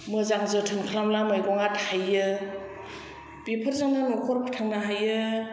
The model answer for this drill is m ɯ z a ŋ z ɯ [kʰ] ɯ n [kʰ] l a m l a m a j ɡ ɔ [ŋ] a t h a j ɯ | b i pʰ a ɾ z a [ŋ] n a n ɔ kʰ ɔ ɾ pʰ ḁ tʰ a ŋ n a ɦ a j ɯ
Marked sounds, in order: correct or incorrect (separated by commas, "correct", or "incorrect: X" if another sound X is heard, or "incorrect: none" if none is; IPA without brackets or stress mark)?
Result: incorrect: tʰ, correct, correct, correct